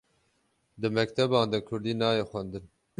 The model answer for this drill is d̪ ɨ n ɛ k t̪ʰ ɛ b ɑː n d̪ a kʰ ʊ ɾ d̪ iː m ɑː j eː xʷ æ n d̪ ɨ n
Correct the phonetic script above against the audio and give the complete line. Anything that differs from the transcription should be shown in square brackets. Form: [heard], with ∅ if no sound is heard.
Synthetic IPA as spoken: d̪ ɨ [m] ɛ k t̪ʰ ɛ b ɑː n d̪ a kʰ ʊ ɾ d̪ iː [n] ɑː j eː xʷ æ n d̪ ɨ n